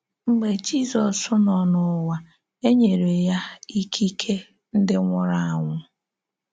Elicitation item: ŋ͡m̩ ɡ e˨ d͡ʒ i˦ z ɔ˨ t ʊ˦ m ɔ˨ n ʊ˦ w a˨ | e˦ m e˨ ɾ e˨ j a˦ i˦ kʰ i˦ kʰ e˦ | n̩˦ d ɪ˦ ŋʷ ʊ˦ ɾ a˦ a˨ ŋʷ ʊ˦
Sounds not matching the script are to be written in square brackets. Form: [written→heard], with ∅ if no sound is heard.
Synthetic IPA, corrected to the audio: ŋ͡m̩ [ɡ→ɡ͡b] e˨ d͡ʒ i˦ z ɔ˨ [t→s] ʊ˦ [m→n] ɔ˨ n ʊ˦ w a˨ | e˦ [m→ɲ] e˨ ɾ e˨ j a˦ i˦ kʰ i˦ kʰ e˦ | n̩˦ d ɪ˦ ŋʷ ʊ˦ ɾ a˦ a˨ ŋʷ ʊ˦